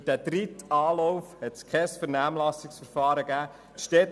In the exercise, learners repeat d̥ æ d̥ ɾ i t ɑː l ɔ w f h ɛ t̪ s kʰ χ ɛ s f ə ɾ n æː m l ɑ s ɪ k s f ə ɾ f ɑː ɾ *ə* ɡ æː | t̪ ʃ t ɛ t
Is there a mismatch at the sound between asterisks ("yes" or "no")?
no